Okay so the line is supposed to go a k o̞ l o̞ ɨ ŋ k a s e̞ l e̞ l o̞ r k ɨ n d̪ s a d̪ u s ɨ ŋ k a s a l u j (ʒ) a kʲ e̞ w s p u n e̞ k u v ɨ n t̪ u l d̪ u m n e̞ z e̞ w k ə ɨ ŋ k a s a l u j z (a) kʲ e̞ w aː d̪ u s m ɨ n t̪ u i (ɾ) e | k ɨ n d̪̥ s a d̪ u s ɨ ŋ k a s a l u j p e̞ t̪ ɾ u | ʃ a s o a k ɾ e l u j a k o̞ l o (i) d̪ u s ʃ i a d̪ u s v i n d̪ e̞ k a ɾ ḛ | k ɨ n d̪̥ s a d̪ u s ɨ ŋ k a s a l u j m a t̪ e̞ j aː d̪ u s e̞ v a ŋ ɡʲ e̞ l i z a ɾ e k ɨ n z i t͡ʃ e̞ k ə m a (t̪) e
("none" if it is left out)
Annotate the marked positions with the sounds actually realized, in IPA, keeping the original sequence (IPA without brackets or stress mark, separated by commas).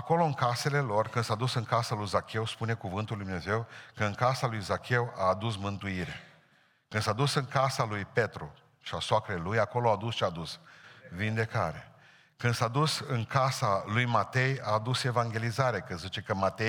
z, a, ɾ, a, t̪